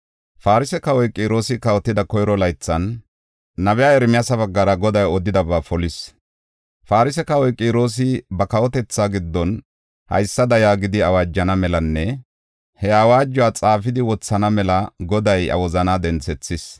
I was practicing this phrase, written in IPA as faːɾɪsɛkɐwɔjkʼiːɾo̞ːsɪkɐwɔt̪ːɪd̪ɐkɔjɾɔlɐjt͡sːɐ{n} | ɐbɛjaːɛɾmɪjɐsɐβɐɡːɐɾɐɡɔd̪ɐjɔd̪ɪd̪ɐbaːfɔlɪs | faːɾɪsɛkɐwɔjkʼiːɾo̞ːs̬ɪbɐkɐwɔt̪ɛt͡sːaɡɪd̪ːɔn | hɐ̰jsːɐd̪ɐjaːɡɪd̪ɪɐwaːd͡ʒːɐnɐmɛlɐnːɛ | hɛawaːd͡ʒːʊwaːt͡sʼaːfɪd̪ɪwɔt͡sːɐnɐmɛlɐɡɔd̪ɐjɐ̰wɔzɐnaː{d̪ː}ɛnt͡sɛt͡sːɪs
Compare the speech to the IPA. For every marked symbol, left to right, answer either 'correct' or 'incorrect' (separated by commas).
incorrect, incorrect